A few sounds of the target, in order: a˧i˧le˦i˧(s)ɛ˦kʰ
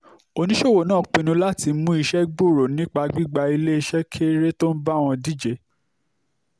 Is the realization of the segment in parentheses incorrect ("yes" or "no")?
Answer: yes